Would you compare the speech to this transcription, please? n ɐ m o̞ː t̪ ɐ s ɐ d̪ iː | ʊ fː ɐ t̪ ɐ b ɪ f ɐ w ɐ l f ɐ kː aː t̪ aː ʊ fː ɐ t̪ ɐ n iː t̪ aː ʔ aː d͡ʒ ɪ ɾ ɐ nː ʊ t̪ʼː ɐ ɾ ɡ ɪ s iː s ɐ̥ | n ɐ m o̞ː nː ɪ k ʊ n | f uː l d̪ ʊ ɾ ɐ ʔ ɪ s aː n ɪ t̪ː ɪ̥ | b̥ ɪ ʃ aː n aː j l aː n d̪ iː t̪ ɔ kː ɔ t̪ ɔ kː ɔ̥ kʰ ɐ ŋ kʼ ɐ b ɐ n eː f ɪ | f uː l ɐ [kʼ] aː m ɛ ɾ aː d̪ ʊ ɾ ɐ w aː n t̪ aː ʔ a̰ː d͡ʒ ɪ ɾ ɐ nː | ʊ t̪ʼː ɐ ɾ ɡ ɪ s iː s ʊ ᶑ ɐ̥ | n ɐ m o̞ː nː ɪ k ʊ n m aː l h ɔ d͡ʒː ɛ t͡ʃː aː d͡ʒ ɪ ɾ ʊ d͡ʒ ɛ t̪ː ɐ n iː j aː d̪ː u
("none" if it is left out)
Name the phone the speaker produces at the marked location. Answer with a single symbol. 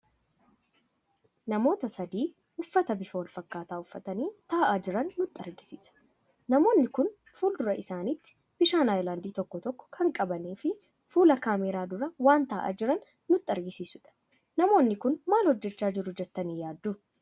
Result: k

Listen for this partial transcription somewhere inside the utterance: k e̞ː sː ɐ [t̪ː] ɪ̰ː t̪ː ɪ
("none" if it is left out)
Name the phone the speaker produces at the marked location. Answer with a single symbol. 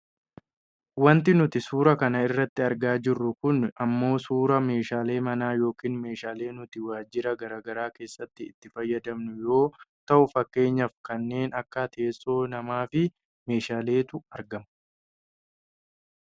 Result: t̪ː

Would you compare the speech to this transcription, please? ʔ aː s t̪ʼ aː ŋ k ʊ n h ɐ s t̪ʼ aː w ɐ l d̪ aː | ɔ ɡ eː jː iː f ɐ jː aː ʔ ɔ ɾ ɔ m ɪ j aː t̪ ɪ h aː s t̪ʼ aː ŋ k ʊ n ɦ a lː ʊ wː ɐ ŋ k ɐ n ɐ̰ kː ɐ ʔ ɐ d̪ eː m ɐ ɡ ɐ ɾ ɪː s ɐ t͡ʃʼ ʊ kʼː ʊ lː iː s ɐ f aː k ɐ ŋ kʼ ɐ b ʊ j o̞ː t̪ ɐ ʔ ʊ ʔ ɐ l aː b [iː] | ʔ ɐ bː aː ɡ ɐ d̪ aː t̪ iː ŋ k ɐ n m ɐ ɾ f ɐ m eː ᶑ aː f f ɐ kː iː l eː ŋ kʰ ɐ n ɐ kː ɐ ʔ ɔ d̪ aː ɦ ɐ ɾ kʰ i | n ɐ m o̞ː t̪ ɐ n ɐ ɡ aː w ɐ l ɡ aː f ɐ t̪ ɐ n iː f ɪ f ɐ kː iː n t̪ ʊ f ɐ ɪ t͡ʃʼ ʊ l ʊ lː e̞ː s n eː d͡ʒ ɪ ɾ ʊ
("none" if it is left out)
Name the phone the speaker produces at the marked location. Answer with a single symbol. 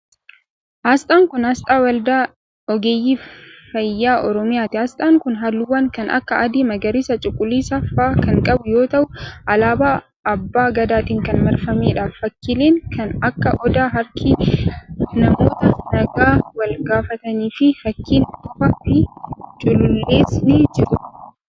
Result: aː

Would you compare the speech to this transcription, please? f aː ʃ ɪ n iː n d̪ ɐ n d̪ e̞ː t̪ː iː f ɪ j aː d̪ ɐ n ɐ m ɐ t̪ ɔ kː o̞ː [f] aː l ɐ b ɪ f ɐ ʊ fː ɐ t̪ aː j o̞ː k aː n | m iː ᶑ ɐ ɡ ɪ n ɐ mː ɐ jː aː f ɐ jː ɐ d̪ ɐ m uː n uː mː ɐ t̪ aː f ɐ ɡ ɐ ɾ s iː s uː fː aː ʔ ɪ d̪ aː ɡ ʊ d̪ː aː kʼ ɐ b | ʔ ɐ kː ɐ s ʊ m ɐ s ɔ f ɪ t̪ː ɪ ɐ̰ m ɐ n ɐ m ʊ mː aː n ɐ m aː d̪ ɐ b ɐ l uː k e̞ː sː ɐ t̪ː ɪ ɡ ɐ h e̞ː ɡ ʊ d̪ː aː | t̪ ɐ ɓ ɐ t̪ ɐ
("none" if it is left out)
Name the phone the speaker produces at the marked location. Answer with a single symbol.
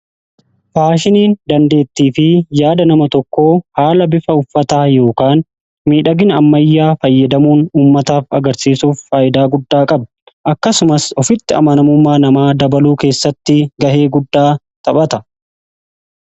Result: h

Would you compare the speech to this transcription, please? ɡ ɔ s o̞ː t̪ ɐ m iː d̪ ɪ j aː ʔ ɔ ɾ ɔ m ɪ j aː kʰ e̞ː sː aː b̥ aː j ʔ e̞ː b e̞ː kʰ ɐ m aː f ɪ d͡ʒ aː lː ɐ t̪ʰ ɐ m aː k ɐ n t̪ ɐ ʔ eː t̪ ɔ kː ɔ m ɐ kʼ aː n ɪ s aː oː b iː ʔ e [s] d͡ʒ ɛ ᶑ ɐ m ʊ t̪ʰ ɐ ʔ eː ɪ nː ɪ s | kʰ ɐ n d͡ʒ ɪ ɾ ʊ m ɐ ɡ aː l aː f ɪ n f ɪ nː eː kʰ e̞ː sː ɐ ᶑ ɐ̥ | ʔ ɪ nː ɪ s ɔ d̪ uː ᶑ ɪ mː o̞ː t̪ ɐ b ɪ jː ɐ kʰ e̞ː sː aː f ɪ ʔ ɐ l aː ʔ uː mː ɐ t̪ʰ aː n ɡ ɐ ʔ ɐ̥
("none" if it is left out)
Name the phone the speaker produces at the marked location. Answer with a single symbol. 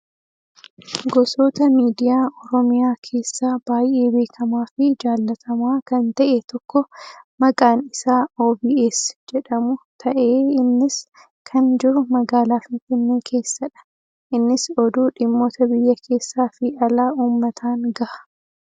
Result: s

